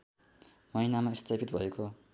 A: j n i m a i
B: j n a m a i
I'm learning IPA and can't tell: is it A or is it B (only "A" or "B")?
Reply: B